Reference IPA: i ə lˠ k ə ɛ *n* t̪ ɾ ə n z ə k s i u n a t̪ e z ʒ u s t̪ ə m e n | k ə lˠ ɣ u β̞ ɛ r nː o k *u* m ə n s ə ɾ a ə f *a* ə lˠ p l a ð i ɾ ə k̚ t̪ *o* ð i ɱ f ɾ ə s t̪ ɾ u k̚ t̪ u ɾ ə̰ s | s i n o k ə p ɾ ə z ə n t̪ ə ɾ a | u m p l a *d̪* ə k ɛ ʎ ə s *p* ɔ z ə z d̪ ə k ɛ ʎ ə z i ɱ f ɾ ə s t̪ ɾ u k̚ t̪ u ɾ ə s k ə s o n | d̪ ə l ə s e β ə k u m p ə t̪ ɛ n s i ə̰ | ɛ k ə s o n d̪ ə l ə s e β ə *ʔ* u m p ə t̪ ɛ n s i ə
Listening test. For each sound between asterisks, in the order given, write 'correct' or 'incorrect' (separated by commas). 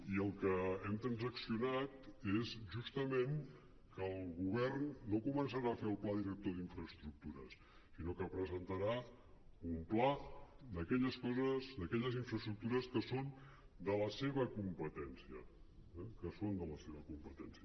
incorrect, correct, incorrect, correct, correct, incorrect, incorrect